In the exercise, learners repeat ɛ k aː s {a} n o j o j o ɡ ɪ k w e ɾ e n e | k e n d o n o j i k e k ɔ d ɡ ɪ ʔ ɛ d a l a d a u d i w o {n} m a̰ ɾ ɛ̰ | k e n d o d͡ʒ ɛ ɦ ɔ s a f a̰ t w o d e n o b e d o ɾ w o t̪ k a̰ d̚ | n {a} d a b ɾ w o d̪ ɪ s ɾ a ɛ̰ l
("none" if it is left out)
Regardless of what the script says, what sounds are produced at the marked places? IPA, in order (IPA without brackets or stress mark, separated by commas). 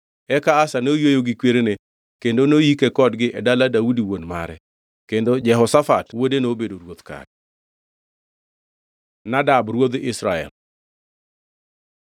a, n, a